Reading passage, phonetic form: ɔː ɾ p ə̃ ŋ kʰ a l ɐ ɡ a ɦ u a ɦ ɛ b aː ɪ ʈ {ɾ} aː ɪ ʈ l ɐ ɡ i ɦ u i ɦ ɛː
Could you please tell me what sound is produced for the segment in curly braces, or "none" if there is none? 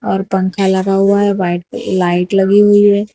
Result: l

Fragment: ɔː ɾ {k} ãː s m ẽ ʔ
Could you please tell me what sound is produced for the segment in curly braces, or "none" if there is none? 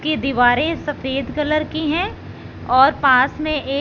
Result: p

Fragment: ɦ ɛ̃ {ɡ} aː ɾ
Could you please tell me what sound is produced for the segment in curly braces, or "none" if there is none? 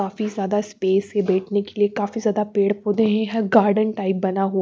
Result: ɡ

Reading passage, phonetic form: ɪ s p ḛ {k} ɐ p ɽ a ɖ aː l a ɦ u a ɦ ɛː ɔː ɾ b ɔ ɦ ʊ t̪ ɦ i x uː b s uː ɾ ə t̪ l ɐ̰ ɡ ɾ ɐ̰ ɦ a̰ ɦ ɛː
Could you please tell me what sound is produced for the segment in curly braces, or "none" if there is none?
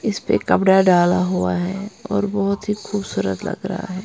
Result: k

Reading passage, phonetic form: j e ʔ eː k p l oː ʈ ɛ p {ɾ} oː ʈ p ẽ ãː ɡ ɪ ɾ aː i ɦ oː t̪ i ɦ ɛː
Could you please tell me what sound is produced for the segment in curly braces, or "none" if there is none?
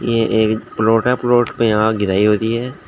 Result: l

